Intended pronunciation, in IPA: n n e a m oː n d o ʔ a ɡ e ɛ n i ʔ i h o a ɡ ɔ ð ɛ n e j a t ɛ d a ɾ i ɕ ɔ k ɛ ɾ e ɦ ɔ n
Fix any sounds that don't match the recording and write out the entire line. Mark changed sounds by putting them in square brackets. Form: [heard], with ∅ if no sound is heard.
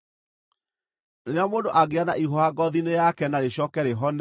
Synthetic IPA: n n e a m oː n d o ʔ a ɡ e [a] n [a] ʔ i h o a ɡ ɔ ð [i] n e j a [k] ɛ [n] a ɾ [e] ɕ ɔ k ɛ ɾ e ɦ ɔ n